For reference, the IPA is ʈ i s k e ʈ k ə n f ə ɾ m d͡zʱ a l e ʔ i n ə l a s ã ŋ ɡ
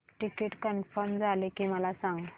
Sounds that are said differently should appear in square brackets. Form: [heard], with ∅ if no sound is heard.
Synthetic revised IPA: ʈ i [∅] k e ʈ k ə n f ə ɾ m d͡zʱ a l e [k] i [m] ə l a s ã ŋ ɡ